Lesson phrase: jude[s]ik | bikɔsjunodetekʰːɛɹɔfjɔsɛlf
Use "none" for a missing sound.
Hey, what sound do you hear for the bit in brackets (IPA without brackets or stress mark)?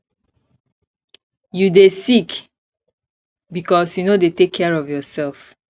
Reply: s